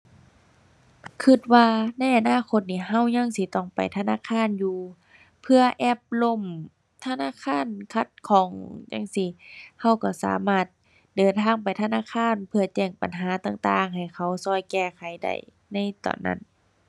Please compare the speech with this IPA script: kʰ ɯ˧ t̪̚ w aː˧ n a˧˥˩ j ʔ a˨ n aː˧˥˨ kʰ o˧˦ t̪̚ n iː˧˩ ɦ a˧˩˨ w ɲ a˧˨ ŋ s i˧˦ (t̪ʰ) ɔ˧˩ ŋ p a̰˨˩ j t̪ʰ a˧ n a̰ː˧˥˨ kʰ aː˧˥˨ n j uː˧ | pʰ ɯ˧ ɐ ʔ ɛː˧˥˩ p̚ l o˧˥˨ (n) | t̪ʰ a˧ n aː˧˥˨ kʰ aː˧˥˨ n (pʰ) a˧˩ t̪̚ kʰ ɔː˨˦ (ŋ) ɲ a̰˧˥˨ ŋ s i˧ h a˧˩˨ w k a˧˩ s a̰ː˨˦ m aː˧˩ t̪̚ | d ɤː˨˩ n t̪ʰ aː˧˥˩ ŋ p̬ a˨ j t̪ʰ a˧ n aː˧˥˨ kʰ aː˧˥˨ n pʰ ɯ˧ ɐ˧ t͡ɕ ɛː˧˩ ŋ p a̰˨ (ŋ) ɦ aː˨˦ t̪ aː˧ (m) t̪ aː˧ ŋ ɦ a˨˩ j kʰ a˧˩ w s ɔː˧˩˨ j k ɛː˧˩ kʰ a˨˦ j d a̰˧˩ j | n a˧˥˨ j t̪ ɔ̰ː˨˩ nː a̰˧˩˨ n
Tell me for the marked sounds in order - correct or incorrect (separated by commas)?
incorrect, incorrect, incorrect, correct, incorrect, incorrect